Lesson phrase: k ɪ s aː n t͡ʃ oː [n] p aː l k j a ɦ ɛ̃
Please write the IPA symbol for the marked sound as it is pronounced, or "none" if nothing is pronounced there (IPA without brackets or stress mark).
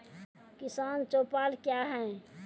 none